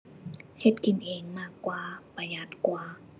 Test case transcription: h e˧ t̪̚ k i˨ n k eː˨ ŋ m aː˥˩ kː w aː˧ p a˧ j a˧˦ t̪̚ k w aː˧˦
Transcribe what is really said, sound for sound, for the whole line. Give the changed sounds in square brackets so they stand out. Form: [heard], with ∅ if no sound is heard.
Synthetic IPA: h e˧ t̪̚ k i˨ n [ʔ] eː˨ ŋ m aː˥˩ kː w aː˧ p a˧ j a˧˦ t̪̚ k w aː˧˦